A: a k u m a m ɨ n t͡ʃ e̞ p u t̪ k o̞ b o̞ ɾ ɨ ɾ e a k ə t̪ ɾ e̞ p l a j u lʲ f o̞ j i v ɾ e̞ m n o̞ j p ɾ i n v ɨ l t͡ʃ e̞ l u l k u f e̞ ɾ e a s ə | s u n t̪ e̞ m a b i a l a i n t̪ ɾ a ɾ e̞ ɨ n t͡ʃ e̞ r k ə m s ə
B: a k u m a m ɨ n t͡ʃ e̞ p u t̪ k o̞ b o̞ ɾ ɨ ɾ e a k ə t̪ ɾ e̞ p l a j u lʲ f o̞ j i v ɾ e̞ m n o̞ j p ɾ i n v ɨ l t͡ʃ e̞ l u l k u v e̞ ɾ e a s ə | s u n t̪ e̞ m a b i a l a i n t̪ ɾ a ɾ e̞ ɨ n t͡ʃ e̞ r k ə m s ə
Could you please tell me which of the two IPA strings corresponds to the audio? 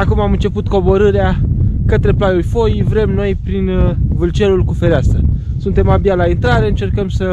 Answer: A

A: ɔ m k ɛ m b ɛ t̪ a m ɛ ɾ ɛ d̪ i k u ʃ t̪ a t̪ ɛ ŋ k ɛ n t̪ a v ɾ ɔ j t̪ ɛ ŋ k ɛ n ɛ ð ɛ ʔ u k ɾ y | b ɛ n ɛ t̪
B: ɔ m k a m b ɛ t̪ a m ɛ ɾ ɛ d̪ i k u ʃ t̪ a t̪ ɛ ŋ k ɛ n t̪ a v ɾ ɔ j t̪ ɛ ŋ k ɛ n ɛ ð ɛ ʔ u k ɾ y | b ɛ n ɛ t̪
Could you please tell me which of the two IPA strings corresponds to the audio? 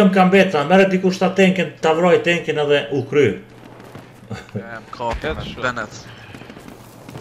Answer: B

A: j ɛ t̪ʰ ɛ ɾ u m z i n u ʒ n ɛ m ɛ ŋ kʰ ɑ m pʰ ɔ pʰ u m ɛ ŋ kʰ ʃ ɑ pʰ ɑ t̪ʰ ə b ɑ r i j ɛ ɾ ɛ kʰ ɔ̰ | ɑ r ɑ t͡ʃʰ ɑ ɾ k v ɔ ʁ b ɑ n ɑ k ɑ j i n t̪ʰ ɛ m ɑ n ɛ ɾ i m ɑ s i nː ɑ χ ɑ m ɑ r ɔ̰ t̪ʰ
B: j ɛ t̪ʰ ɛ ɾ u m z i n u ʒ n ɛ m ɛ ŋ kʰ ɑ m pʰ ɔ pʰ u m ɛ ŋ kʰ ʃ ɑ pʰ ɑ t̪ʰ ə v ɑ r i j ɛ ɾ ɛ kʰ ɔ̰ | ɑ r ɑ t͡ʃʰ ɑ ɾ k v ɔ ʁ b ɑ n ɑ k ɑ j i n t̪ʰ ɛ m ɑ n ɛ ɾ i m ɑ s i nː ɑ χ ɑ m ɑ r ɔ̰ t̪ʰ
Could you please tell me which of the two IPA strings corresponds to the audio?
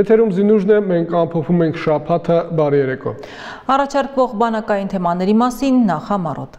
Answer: A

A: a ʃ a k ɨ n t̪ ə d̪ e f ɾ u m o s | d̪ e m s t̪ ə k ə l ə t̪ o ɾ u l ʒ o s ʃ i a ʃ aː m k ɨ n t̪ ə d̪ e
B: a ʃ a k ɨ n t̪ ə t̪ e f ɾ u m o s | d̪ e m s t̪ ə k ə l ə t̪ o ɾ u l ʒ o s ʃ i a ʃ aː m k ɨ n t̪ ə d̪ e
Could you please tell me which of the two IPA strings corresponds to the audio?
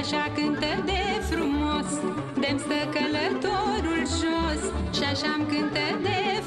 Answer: A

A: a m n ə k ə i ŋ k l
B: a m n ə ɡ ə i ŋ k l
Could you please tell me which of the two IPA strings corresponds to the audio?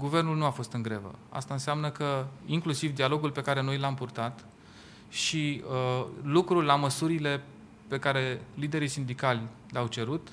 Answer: A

